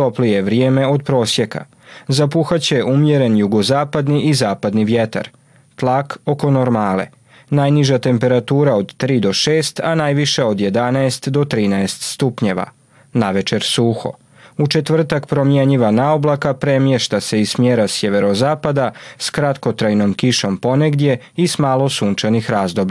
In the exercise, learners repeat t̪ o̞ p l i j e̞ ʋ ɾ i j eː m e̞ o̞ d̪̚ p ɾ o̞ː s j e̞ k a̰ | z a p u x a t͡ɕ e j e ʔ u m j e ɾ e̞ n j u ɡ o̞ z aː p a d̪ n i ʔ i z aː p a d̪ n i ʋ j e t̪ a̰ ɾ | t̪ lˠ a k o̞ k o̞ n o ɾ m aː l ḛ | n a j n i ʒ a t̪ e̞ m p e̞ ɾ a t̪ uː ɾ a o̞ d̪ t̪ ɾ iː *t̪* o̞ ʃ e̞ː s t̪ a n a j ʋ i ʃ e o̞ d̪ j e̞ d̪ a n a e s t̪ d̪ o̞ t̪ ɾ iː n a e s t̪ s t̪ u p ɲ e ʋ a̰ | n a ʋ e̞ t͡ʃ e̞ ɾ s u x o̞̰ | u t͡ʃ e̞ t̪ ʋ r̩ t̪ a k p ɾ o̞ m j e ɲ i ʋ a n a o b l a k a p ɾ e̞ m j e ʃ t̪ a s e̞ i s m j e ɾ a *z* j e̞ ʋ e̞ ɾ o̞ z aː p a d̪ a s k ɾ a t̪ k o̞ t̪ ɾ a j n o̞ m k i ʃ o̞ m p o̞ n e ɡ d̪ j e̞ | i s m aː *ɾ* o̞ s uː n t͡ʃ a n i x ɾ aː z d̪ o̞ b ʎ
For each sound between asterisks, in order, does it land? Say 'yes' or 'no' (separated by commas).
no, no, no